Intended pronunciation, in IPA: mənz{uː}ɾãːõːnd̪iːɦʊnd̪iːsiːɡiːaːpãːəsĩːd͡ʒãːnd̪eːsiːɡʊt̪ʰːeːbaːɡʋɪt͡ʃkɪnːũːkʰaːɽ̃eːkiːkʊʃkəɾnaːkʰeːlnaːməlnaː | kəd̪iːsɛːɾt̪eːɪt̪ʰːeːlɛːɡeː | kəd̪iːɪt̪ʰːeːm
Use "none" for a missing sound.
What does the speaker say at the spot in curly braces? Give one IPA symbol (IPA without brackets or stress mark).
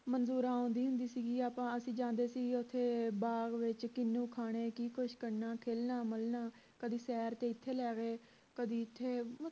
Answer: uː